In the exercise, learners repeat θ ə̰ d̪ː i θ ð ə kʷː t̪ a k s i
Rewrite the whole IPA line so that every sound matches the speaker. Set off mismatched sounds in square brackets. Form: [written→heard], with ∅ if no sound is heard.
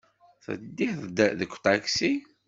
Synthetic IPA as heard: θ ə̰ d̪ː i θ ð ə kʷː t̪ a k s i